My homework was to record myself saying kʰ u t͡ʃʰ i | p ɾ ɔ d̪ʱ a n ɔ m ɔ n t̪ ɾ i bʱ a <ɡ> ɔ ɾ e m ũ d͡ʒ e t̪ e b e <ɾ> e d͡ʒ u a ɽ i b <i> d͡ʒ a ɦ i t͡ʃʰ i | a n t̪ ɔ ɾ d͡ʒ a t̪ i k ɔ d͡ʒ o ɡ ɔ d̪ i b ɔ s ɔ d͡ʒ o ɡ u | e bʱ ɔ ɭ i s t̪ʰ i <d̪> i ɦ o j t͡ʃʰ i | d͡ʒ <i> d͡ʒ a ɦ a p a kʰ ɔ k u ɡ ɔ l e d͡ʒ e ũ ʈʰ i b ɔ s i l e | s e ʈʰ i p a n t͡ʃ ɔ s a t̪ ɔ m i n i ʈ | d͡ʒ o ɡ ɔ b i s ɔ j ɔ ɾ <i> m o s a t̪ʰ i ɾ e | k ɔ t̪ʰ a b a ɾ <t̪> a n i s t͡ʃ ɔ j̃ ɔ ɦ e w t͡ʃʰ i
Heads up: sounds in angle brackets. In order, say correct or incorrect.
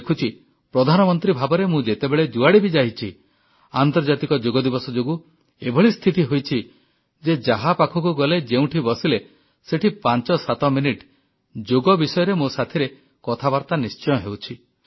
incorrect: b, incorrect: ɭ, correct, incorrect: t̪, incorrect: e, incorrect: e, correct

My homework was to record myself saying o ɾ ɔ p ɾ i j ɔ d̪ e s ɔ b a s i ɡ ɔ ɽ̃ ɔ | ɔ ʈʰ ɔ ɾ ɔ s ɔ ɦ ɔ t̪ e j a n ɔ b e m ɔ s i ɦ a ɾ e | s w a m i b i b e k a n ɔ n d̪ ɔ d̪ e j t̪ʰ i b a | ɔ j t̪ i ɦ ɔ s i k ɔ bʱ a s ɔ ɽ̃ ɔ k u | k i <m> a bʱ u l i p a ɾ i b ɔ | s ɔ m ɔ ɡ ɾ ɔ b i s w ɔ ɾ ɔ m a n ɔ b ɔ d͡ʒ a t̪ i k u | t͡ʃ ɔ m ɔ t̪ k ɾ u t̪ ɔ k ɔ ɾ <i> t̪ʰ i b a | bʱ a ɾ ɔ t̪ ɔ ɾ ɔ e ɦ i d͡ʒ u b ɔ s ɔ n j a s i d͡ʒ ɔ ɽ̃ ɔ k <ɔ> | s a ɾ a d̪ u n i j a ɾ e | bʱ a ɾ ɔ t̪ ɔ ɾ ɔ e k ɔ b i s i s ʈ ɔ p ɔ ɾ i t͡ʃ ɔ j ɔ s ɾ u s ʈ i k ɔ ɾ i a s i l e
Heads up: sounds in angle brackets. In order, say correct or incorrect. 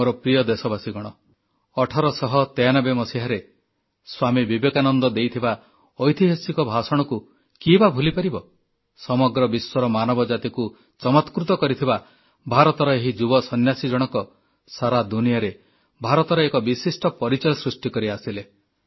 incorrect: b, correct, correct

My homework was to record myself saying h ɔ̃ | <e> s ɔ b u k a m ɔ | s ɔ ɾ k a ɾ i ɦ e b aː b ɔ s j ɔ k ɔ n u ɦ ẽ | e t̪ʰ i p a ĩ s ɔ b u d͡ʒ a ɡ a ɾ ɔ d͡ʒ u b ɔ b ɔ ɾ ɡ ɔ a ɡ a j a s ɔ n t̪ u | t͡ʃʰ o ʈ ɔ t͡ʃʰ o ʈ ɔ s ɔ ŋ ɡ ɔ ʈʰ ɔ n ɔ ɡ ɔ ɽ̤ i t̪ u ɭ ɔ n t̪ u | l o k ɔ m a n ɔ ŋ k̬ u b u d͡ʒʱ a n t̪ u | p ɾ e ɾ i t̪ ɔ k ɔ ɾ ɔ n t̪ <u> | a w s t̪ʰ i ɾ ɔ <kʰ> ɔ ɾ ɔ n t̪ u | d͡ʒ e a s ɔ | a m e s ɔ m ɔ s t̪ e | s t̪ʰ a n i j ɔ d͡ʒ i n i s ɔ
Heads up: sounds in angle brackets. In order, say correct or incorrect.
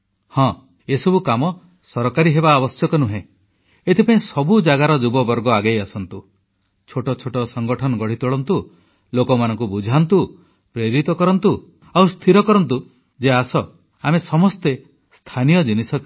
correct, correct, incorrect: k

